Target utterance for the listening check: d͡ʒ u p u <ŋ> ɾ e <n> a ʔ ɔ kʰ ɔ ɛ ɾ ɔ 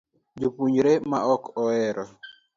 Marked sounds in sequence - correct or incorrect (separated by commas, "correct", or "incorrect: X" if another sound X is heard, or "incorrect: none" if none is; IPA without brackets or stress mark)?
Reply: incorrect: ɲ, incorrect: m